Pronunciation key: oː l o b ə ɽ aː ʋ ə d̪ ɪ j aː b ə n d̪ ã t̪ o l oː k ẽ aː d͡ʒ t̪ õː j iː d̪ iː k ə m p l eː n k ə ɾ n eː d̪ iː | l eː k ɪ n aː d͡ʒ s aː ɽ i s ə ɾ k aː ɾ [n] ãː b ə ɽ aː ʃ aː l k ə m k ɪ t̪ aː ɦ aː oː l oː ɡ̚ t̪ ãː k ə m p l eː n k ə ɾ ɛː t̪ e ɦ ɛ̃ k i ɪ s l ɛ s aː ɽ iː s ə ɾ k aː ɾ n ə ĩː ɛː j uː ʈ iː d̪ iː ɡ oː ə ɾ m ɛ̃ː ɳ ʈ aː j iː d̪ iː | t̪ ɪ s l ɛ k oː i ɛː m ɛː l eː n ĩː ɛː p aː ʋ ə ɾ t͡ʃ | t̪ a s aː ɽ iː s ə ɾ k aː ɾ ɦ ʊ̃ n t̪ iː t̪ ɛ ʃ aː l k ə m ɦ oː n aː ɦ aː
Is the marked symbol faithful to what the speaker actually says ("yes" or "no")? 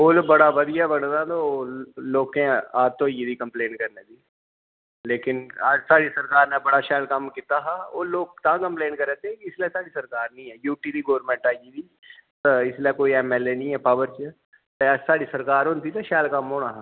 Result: yes